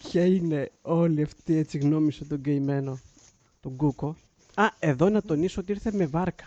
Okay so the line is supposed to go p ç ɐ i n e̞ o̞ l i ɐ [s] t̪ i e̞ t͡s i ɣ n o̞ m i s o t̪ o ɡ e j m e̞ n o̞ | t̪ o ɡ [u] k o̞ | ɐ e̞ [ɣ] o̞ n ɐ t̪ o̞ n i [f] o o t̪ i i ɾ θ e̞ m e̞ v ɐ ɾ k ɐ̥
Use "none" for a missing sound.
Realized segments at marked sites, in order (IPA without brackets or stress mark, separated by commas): f, u, ð, s